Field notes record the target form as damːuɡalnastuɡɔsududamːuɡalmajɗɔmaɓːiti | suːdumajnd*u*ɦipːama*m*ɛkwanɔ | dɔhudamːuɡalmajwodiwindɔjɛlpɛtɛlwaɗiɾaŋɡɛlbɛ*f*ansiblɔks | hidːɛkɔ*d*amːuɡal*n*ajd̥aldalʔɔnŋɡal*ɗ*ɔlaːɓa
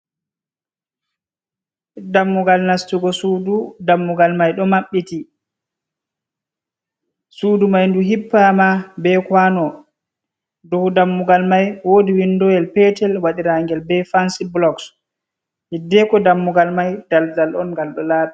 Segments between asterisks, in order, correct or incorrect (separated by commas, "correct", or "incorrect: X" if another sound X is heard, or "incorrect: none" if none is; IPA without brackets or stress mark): correct, incorrect: b, correct, correct, incorrect: m, correct